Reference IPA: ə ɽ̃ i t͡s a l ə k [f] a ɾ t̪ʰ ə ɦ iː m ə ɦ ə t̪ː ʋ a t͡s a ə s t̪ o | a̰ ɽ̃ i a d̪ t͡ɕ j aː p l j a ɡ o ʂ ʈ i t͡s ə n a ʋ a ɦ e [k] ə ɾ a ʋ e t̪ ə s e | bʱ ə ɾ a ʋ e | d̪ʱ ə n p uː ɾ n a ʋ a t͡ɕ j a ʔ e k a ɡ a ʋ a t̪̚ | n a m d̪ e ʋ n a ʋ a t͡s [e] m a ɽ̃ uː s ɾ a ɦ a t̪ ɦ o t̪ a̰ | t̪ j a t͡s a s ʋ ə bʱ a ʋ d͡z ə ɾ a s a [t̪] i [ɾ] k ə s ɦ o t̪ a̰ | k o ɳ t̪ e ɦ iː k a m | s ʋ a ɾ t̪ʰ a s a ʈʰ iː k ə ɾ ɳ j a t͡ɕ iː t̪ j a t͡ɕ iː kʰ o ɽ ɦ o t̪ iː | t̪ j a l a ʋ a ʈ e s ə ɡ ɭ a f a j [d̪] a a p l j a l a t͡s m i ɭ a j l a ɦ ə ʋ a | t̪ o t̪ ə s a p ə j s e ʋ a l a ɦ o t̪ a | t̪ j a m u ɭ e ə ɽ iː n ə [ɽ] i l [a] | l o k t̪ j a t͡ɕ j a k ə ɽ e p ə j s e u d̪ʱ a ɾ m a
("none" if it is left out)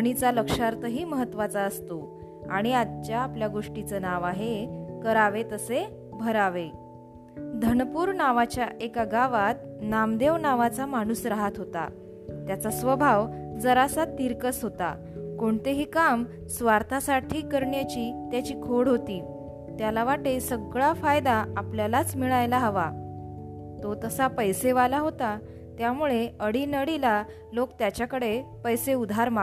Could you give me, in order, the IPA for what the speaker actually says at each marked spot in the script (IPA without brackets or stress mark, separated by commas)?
ʂ, k, a, t̪, ɾ, d̪, ɽ, a